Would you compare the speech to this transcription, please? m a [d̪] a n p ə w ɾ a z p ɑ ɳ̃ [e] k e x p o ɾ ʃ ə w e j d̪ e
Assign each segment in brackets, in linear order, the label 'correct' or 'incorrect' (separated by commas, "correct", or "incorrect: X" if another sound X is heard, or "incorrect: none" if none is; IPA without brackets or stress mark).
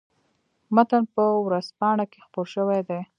incorrect: t̪, incorrect: a